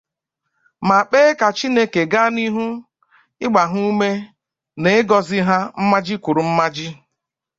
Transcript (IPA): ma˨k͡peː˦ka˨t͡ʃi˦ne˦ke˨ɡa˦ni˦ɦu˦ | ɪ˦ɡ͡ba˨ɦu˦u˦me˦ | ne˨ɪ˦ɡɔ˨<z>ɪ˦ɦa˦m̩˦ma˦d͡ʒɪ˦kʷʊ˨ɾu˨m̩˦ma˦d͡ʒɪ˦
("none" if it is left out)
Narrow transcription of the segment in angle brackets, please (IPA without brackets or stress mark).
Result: z